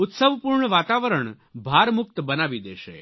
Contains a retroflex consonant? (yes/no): yes